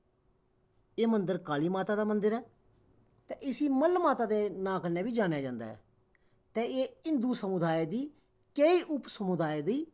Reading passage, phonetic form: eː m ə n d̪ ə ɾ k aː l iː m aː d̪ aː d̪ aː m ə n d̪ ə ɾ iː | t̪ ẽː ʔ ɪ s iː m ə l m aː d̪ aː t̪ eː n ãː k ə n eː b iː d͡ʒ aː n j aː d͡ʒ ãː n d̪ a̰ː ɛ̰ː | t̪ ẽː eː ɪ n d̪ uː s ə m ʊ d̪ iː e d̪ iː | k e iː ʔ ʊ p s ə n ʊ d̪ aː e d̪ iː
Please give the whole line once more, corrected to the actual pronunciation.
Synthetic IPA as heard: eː m ə n d̪ ə ɾ k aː l iː m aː t̪ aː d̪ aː m ə n d̪ ə ɾ ɛː | t̪ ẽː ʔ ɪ s iː m ə l m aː t̪ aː d̪ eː n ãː k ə n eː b iː d͡ʒ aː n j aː d͡ʒ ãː n d̪ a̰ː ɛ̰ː | t̪ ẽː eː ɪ n d̪ uː s ə m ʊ d̪ aː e d̪ iː | k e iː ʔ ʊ p s ə m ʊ d̪ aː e d̪ iː